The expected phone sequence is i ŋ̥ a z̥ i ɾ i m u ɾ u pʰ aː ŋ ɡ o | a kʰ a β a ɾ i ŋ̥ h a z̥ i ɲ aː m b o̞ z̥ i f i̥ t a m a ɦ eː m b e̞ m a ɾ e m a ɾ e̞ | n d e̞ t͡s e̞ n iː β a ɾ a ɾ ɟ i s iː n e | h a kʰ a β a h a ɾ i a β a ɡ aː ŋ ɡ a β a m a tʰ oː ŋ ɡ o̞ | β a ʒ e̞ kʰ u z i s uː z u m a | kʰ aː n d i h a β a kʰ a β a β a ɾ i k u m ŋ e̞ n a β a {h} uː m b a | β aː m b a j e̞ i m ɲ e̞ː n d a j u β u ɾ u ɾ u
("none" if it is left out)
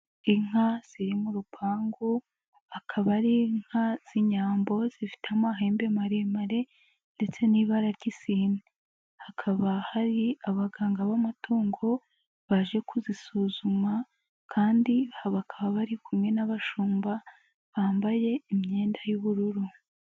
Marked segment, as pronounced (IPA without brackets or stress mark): ʃ